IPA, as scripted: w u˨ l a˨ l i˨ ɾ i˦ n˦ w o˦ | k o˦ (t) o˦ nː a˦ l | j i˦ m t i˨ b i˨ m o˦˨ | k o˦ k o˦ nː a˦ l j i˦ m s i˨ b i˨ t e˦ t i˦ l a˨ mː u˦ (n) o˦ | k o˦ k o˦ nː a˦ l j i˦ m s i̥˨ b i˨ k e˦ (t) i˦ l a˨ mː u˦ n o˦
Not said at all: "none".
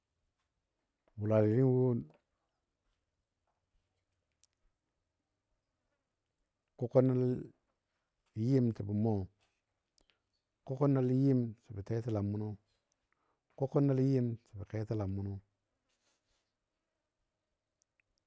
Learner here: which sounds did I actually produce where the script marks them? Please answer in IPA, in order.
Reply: k, n, t

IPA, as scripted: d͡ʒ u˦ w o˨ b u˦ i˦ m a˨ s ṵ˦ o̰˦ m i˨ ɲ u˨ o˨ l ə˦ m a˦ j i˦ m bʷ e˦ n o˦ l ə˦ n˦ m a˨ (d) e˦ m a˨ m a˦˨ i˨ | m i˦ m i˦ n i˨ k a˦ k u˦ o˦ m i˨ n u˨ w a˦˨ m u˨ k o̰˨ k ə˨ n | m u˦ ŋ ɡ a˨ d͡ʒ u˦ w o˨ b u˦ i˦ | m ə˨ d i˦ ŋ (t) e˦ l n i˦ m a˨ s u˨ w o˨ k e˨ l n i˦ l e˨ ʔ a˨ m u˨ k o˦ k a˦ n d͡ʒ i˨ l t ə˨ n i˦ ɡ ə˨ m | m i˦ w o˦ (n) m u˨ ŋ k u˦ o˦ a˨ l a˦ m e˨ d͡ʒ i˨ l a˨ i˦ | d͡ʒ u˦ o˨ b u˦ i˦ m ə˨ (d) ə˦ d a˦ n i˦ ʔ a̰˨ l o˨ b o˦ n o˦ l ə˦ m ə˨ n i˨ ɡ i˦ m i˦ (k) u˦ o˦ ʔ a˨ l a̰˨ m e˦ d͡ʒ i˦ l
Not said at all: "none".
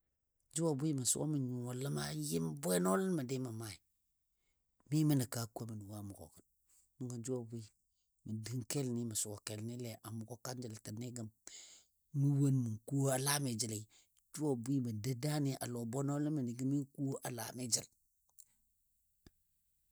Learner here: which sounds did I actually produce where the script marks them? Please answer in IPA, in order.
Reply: d, k, n, d, k

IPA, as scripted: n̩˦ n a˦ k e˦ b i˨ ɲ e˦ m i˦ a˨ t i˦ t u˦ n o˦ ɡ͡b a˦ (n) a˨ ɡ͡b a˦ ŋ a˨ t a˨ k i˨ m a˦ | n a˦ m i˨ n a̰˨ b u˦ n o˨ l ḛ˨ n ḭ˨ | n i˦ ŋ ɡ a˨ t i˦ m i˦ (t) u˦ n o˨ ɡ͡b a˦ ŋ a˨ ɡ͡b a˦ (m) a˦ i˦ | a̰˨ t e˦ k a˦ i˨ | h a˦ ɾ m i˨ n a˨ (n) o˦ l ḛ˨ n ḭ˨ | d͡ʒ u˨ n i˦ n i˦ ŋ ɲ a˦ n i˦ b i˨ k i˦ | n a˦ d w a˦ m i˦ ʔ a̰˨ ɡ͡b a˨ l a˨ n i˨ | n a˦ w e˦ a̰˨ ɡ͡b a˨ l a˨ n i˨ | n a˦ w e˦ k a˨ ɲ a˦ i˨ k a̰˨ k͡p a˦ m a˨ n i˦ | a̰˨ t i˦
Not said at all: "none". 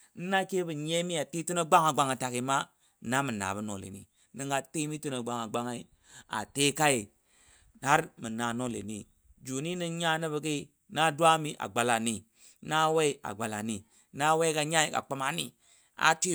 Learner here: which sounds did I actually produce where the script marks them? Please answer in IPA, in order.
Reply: ŋ, t, ŋ, n

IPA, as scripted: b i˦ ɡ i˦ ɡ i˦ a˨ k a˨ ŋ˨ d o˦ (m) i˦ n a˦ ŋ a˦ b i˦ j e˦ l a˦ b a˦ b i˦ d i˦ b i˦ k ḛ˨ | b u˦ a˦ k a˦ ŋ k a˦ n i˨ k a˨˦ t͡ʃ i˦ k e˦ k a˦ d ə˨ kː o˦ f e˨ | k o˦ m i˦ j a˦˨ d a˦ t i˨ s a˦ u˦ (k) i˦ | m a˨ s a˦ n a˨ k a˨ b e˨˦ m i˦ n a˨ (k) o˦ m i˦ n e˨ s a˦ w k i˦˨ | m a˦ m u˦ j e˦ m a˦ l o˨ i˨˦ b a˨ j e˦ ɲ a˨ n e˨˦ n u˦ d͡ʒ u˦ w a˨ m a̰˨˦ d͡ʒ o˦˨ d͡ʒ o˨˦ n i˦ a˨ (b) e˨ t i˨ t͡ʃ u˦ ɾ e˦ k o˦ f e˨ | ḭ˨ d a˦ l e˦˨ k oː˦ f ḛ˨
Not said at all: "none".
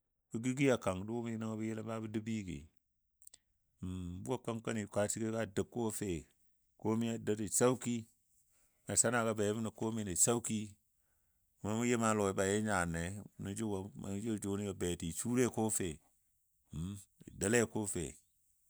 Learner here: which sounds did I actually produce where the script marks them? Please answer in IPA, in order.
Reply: m, k, k, b

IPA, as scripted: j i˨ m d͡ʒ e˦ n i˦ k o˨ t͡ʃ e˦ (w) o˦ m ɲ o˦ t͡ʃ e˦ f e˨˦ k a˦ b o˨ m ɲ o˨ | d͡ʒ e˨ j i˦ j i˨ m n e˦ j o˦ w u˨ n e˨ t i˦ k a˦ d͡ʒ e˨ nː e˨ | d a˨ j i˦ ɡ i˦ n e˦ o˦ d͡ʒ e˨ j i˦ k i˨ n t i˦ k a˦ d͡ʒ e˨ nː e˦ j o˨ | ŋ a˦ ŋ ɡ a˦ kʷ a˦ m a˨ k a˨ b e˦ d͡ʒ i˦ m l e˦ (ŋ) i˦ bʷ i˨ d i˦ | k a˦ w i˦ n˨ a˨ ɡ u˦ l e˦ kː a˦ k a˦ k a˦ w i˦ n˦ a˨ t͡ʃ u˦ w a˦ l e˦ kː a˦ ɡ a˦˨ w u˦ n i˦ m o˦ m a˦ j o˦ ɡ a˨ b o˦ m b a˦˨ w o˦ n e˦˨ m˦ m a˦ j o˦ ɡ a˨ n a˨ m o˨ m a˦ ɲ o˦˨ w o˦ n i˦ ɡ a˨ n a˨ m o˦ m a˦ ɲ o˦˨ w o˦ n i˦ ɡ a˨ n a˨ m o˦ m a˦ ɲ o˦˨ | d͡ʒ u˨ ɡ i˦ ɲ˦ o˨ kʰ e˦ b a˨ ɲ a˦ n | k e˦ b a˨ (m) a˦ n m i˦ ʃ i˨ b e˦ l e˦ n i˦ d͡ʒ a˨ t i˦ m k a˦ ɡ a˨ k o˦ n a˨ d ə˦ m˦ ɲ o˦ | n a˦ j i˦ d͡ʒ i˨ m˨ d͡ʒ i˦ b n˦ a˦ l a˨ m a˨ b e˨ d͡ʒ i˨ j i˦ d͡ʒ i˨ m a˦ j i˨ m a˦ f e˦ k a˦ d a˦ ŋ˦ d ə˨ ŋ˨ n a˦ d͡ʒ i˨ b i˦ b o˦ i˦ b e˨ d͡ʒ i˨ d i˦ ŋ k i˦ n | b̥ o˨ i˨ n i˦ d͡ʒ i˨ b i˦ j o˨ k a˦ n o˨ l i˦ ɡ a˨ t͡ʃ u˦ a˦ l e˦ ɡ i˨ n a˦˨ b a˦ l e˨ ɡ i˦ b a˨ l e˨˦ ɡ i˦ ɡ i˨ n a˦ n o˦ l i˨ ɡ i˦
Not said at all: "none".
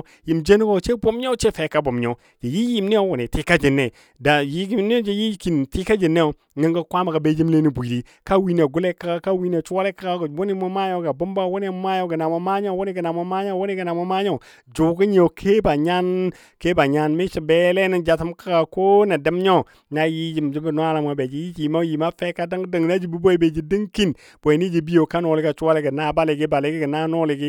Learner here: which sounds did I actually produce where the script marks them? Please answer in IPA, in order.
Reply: b, n, ɲ

